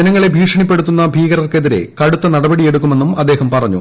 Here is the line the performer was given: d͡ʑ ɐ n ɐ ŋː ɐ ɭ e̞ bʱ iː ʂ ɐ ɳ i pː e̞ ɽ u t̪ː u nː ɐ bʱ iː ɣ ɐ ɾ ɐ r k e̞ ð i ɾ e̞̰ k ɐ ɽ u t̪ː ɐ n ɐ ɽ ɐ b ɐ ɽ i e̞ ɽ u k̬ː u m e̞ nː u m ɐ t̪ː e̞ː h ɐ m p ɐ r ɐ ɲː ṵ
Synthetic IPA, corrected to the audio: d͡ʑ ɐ n ɐ ŋː ɐ ɭ e̞ bʱ iː ʂ ɐ ɳ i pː e̞ ɽ u t̪ː u nː ɐ bʱ iː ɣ ɐ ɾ ɐ r k e̞ ð i ɾ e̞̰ k ɐ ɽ u t̪ː ɐ n ɐ ɽ ɐ b ɐ ɽ i e̞ ɽ u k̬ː u m e̞ nː u m ɐ d̪ː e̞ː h ɐ m p ɐ r ɐ ɲː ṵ